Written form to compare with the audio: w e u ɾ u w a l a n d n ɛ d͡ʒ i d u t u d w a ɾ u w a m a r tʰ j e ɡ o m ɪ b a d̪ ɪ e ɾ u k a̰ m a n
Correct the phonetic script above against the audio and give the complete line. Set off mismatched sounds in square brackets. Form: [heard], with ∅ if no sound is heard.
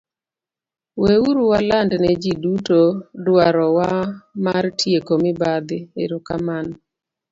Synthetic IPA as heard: w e u ɾ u w a l a n d n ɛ d͡ʒ i d u t [o] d w a ɾ [ɔ] w a m a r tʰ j e [k] o m ɪ b a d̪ ɪ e ɾ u k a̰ m a n